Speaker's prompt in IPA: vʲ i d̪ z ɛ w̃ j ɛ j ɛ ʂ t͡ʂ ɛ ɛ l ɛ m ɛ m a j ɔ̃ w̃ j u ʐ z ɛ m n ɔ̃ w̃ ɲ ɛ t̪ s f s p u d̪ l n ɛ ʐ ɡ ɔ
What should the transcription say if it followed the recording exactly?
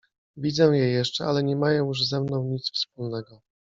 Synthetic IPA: vʲ i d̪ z ɛ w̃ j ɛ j ɛ ʂ t͡ʂ ɛ a l ɛ ɲ ɛ m a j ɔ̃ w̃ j u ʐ z ɛ m n ɔ̃ w̃ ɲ i t̪ s f s p u l n ɛ ɡ ɔ

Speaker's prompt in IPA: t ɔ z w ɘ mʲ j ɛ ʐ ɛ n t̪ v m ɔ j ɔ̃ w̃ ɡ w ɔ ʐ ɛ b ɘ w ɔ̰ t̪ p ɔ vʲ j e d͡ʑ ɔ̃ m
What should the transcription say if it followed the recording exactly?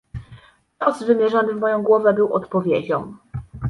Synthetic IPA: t ɔ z v ɘ mʲ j ɛ ʐ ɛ n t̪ v m ɔ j ɔ̃ w̃ ɡ w ɔ v ɛ b ɘ w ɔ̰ t̪ p ɔ vʲ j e d͡ʑ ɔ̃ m

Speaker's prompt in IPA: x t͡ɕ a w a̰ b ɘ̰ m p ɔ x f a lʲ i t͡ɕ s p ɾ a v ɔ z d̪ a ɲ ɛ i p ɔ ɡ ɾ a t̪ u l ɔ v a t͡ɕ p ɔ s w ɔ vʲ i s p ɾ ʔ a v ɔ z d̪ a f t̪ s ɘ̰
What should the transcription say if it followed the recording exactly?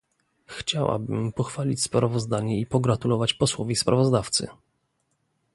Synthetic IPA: x t͡ɕ a w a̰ b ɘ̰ m p ɔ x f a lʲ i t͡ɕ s p ɾ a v ɔ z d̪ a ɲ ɛ i p ɔ ɡ ɾ a t̪ u l ɔ v a t͡ɕ p ɔ s w ɔ vʲ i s p ɾ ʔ a v ɔ z d̪ a f t̪ s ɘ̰

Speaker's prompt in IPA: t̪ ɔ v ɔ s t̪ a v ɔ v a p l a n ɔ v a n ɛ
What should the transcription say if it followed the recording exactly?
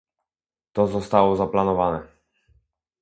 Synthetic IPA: t̪ ɔ z ɔ s t̪ a w ɔ z a p l a n ɔ v a n ɛ

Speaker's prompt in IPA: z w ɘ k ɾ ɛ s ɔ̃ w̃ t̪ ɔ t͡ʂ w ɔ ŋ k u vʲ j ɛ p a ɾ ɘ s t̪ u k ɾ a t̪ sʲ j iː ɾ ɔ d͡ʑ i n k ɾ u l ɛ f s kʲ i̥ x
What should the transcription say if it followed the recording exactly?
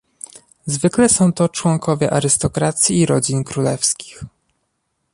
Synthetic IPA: z v ɘ k l ɛ s ɔ̃ w̃ t̪ ɔ t͡ʂ w ɔ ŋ k ɔ vʲ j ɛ ʔ a ɾ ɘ s t̪ ɔ k ɾ a t̪ sʲ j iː ɾ ɔ d͡ʑ i n k ɾ u l ɛ f s kʲ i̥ x

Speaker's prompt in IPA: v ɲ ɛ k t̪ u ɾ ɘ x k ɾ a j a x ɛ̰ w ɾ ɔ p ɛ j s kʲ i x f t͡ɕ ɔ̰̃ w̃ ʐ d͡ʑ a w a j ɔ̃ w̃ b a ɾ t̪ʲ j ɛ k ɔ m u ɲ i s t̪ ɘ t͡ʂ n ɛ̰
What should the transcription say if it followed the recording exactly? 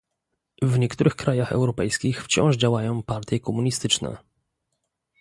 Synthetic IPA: v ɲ ɛ k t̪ u ɾ ɘ x k ɾ a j a x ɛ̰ w ɾ ɔ p ɛ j s kʲ i x f t͡ɕ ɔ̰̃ w̃ ʐ d͡ʑ a w a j ɔ̃ w̃ p a ɾ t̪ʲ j ɛ k ɔ m u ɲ i s t̪ ɘ t͡ʂ n ɛ̰

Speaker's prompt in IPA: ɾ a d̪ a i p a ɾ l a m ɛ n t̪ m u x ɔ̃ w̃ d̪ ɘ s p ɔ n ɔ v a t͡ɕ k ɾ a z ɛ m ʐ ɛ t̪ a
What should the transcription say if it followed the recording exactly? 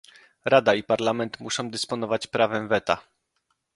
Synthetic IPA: ɾ a d̪ a i p a ɾ l a m ɛ n t̪ m u ʂ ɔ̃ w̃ d̪ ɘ s p ɔ n ɔ v a t͡ɕ p ɾ a v ɛ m v ɛ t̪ a

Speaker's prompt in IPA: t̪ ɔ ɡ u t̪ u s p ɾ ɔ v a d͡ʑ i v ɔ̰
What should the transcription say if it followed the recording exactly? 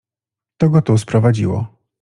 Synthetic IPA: t̪ ɔ ɡ ɔ t̪ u s p ɾ ɔ v a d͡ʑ i w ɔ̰

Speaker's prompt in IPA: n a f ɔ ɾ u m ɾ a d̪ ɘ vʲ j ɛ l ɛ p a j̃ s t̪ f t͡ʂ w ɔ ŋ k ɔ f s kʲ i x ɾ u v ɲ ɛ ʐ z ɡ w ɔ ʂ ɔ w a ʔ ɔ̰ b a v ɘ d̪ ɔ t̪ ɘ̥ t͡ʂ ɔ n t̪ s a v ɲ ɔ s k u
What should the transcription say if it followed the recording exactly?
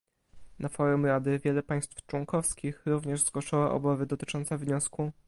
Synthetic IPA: n a f ɔ ɾ u m ɾ a d̪ ɘ vʲ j ɛ l ɛ p a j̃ s t̪ f t͡ʂ w ɔ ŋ k ɔ f s kʲ i x ɾ u v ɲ ɛ ʐ z ɡ w ɔ ʂ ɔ w a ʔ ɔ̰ b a v ɘ d̪ ɔ t̪ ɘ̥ t͡ʂ ɔ n t̪ s a v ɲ ɔ s k u

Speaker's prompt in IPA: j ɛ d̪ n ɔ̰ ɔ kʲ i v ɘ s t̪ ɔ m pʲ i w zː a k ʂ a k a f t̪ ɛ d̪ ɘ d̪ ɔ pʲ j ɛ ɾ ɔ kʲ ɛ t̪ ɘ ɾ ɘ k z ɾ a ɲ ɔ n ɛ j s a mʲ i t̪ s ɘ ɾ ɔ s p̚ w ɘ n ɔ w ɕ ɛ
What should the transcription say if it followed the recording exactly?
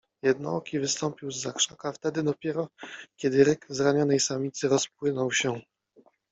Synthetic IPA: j ɛ d̪ n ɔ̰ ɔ kʲ i v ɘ s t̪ ɔ m pʲ i w zː a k ʂ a k a f t̪ ɛ d̪ ɘ d̪ ɔ pʲ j ɛ ɾ ɔ kʲ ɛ d̪ ɘ ɾ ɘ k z ɾ a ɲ ɔ n ɛ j s a mʲ i t̪ s ɘ ɾ ɔ s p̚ w ɘ n ɔ w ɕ ɛ

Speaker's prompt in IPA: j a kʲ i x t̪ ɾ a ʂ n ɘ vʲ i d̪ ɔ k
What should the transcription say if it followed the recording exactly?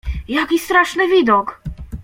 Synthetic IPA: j a kʲ i s t̪ ɾ a ʂ n ɘ vʲ i d̪ ɔ k

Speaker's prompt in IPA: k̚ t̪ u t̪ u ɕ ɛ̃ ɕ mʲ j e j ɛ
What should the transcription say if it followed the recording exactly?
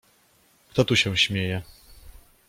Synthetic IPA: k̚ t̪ ɔ t̪ u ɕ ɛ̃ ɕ mʲ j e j ɛ

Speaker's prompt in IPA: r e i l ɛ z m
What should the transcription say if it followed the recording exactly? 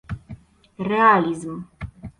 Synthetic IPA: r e a l i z m

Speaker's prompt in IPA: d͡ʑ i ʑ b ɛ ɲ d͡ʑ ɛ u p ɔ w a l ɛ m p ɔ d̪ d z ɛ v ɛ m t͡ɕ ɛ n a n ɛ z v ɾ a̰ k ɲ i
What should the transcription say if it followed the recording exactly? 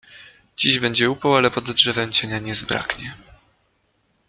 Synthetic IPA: d͡ʑ i ʑ b ɛ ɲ d͡ʑ ɛ u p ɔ w a l ɛ p ɔ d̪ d ʐ ɛ v ɛ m t͡ɕ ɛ ɲ a ɲ ɛ z b ɾ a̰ k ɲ ɛ

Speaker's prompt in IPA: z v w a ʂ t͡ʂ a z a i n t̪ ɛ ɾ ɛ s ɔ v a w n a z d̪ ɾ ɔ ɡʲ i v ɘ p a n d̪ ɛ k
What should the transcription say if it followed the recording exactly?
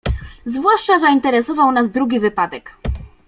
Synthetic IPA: z v w a ʂ t͡ʂ a z a i n t̪ ɛ ɾ ɛ s ɔ v a w n a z d̪ ɾ u ɡʲ i v ɘ p a d̪ ɛ k

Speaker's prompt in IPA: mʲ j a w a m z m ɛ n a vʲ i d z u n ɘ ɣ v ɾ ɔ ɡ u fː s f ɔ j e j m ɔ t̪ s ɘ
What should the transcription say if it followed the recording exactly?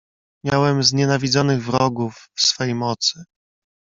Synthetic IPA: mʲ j a w ɛ m z ɲ ɛ n a vʲ i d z ɔ n ɘ ɣ v ɾ ɔ ɡ u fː s f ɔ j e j m ɔ t̪ s ɘ

